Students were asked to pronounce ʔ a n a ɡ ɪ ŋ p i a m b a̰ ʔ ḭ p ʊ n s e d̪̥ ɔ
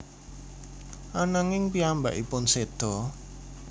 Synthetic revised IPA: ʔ a n a ŋ ɪ ŋ p i a m b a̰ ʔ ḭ p ʊ n s e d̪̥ ɔ

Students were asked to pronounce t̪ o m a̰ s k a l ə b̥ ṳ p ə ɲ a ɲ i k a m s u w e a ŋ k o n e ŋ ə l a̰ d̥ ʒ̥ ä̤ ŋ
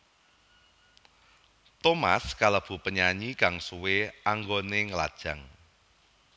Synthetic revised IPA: t̪ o m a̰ s k a l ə b̥ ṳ p ə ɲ a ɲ i k a ŋ s u w e a ŋ ɡ o n e ŋ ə l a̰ d̥ ʒ̥ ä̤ ŋ

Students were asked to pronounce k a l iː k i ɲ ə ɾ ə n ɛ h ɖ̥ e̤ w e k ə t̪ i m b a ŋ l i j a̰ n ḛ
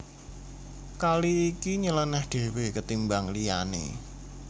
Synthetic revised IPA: k a l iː k i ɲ ə l ə n ɛ h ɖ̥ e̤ w e k ə t̪ i m b a ŋ l i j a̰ n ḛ

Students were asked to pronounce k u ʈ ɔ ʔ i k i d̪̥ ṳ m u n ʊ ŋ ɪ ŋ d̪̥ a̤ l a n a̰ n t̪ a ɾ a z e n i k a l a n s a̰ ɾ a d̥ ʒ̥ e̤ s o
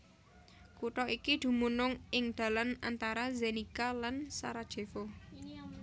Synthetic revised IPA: k u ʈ ɔ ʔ i k i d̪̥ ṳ m u n ʊ ŋ ɪ ŋ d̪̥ a̤ l a n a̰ n t̪ a ɾ a z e n i k a l a n s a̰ ɾ a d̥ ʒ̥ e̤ f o

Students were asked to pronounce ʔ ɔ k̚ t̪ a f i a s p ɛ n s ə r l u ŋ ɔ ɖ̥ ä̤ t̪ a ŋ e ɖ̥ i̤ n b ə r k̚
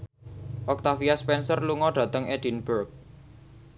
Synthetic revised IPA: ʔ ɔ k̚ t̪ a f i a s p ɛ n s ə r l u ŋ ɔ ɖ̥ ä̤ t̪ ə ŋ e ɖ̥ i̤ n b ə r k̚

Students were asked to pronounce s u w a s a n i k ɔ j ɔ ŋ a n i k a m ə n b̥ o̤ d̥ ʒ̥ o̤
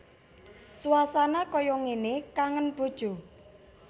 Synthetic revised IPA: s u w a s a n a k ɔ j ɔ ŋ e n e k a ŋ ə n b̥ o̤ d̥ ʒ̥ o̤

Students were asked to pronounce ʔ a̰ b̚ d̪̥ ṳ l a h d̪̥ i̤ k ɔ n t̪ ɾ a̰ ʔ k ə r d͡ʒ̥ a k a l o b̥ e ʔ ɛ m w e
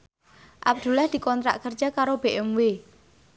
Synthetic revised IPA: ʔ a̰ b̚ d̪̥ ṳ l a h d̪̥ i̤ k ɔ n t̪ ɾ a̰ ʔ k ə r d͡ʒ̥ a k a ɾ o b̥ e ʔ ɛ m w e

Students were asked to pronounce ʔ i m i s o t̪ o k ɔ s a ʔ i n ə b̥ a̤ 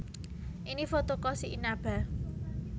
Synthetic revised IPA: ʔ i n i f o t̪ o k ɔ s i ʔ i n a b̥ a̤

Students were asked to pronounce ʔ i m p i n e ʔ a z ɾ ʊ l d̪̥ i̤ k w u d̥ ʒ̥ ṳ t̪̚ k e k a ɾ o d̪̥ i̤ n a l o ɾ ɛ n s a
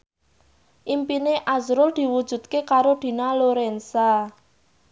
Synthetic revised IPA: ʔ i m p i n e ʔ a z ɾ ʊ l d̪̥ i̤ w u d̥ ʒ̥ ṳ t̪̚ k e k a ɾ o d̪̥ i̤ n a l o ɾ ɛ n s a

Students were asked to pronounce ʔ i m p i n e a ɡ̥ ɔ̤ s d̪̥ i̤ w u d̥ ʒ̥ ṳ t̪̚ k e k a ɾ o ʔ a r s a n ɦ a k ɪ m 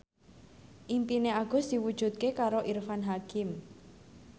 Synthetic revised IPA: ʔ i m p i n e a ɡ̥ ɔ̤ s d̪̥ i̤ w u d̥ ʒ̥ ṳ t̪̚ k e k a ɾ o ʔ i r f a n ɦ a k ɪ m

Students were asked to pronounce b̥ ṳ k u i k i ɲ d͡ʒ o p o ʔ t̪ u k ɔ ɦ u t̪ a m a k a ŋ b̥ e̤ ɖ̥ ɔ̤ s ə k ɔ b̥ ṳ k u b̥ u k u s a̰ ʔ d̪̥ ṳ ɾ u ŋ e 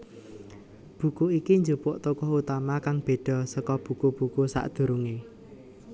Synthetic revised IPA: b̥ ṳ k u i k i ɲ d͡ʒ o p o ʔ t̪ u k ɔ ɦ u t̪ a m a k a ŋ b̥ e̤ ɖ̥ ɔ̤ s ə k ɔ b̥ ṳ k u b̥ u k u s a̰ ʔ d̪̥ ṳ ɾ u ŋ e

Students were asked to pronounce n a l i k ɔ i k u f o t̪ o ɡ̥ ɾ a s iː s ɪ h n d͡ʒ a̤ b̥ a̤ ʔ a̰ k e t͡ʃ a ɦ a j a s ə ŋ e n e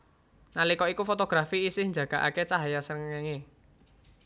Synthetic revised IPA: n a l i k ɔ i k u f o t̪ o ɡ̥ ɾ a f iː s ɪ h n d͡ʒ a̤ ɡ̥ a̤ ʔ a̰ k e t͡ʃ a ɦ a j a s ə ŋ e ŋ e

